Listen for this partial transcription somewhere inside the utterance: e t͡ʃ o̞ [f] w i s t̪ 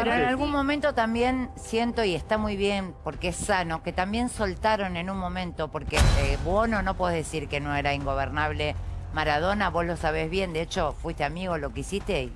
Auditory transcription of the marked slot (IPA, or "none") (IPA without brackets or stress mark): f